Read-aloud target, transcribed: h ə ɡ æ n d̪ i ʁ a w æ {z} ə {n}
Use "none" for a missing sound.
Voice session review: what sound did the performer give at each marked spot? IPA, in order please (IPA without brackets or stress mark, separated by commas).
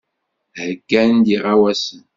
s, n